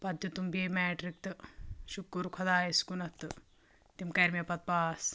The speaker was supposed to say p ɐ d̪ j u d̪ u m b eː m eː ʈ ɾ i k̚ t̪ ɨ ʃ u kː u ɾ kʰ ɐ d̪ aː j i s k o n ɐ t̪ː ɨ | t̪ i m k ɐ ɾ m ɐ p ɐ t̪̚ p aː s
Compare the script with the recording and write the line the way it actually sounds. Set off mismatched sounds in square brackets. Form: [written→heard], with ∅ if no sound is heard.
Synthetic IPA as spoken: p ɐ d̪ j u [d̪→t̪] u m b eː m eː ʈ ɾ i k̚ t̪ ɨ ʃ u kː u ɾ kʰ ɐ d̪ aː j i s k [o→u] n ɐ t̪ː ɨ | t̪ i m k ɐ ɾ m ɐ p ɐ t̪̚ p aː s

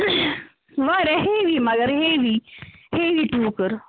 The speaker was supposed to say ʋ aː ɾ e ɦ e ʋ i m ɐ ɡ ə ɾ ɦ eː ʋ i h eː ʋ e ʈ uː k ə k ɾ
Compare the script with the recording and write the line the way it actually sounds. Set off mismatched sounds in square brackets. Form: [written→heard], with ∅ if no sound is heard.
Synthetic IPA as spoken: ʋ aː ɾ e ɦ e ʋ i m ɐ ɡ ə ɾ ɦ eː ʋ i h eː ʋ [e→i] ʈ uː k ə [k→∅] ɾ

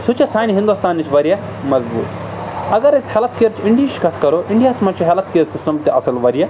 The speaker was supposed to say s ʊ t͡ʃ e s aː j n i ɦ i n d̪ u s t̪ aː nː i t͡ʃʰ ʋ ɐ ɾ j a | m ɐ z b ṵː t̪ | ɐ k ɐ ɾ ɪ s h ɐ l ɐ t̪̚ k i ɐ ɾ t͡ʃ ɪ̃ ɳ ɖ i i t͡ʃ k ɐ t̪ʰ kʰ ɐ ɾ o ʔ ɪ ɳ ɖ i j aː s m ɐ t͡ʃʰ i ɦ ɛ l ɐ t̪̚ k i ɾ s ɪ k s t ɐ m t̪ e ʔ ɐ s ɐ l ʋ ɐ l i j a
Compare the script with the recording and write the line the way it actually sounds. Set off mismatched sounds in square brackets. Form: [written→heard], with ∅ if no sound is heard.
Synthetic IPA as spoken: s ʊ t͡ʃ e s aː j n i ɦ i n d̪ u s t̪ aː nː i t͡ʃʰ ʋ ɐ ɾ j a | m ɐ z b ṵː t̪ | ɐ [k→ɡ] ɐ ɾ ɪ s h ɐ l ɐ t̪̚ k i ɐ ɾ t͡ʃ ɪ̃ ɳ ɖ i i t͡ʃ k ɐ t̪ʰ [kʰ→k] ɐ ɾ o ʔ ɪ ɳ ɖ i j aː s m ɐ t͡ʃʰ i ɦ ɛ l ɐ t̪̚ k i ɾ s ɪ [k→∅] s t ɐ m t̪ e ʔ ɐ s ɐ l ʋ ɐ [l→ɾ] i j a

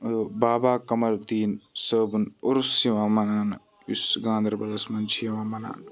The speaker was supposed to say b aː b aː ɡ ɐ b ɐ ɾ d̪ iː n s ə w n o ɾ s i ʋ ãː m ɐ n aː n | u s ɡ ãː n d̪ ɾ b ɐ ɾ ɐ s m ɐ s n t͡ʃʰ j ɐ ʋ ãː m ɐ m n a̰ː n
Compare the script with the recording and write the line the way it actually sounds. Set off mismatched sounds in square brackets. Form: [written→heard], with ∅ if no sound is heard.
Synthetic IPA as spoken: b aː b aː [ɡ→k] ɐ [b→m] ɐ ɾ d̪ iː n s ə [w→b] n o ɾ s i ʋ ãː m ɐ n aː n | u s ɡ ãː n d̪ ɾ b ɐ [ɾ→l] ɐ s m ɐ [s→∅] n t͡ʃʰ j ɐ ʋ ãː m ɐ [m→∅] n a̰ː n

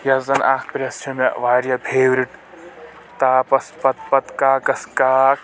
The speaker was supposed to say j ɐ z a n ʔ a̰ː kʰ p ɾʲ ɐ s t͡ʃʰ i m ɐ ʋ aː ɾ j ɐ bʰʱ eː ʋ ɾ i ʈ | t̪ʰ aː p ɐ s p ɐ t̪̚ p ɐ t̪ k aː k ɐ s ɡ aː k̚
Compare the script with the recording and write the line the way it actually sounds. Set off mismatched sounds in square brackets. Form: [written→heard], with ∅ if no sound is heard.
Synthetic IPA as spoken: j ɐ z [a→ɐ] n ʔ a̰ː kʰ p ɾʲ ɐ s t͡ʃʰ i m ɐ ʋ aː ɾ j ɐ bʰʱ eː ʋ ɾ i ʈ | [t̪ʰ→t̪] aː p ɐ s p ɐ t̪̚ p ɐ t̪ k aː k ɐ s [ɡ→k] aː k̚

